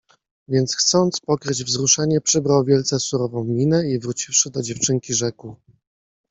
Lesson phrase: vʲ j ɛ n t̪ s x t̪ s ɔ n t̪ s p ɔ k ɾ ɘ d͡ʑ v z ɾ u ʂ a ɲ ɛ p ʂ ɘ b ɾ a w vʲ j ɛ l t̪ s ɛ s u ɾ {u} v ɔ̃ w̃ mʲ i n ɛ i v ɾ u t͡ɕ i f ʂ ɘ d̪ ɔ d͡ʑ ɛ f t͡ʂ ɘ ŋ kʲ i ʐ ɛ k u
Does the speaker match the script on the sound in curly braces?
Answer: no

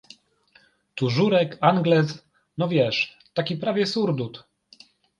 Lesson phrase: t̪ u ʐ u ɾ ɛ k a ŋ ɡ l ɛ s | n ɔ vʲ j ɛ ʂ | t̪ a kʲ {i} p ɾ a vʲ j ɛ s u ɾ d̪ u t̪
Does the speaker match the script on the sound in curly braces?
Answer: yes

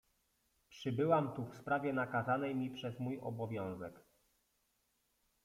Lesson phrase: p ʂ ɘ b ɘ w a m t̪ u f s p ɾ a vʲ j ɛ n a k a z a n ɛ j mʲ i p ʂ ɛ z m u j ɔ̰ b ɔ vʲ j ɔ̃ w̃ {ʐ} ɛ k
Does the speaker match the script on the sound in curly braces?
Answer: no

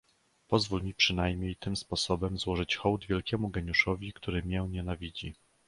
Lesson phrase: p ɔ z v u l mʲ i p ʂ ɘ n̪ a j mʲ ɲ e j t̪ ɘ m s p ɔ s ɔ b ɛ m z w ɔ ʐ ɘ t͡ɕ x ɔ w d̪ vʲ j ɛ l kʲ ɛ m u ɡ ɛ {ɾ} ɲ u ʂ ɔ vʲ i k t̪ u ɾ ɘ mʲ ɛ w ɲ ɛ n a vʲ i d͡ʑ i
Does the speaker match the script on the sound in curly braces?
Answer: no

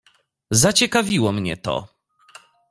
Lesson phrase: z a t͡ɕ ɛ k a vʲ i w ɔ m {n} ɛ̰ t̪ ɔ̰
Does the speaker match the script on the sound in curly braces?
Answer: no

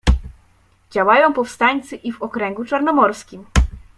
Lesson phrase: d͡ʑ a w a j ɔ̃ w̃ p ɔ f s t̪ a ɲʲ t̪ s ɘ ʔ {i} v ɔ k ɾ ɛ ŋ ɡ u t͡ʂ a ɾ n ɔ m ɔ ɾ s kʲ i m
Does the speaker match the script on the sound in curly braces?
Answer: yes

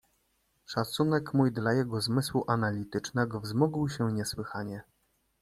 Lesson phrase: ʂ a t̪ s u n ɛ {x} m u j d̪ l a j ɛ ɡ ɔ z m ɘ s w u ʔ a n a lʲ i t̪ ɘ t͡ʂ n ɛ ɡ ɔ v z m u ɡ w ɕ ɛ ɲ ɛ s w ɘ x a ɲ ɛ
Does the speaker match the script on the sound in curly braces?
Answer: no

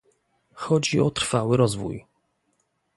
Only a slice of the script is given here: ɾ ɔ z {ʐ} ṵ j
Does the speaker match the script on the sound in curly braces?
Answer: no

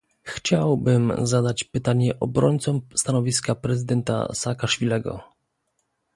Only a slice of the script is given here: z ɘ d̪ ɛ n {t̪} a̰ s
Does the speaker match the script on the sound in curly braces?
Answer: yes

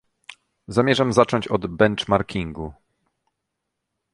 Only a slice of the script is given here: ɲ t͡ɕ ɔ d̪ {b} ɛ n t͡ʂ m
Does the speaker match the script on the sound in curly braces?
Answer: yes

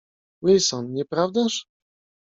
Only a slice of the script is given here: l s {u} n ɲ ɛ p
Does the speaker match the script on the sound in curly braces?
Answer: no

